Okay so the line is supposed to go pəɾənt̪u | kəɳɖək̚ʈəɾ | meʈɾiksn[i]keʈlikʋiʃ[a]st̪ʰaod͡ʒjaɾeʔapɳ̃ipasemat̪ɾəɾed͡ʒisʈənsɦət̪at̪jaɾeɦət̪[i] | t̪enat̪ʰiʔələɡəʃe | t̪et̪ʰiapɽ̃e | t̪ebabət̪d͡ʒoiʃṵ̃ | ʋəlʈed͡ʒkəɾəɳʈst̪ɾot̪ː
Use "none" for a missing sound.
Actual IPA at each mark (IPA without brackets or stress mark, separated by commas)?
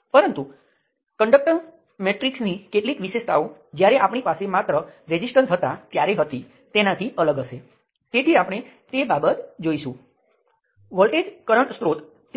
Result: i, e, i